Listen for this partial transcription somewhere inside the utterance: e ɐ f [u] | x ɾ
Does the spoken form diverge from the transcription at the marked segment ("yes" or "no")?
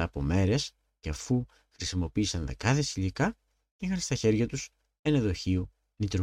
no